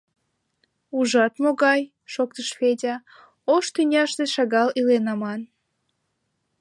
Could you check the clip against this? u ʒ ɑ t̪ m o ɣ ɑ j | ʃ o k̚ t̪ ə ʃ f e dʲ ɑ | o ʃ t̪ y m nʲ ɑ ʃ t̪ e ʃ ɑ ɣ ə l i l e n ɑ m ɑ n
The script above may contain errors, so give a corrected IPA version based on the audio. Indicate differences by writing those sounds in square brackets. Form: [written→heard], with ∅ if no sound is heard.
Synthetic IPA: u ʒ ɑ t̪ m o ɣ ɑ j | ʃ o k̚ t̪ ə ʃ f e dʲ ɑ | o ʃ t̪ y [m→∅] nʲ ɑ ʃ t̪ e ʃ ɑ ɣ [ə→ɑ] l i l e n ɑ m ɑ n